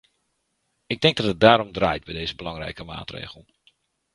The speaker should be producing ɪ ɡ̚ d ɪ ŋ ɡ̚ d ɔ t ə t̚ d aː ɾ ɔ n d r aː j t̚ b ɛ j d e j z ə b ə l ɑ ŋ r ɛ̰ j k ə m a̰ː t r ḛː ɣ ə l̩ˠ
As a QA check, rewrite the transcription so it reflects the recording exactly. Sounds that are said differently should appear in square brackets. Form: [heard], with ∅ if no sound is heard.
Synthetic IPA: ɪ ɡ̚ d ɪ ŋ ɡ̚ d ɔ t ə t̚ d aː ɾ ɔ [m] d r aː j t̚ b ɛ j d e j z ə b ə l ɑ ŋ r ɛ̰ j k ə m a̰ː t r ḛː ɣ ə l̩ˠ